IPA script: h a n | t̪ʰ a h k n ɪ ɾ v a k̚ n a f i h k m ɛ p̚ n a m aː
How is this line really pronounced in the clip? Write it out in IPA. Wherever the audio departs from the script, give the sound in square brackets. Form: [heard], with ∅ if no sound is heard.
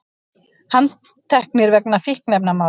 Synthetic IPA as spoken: h a n | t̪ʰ [ɛ] h k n ɪ ɾ v [ɛ] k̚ n a f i h k [n] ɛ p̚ n a m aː